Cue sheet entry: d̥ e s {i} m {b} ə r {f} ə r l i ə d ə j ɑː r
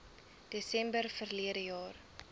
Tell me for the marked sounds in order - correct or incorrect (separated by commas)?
incorrect, correct, correct